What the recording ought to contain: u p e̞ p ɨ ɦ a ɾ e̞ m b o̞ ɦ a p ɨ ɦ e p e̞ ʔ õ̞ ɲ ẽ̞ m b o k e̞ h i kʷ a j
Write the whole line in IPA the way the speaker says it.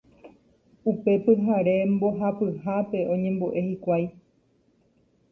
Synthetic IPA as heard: u p e̞ p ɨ ɦ a ɾ e̞ m b o̞ ɦ a p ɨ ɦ a p e̞ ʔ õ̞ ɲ ẽ̞ m b o ʔ e̞ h i kʷ a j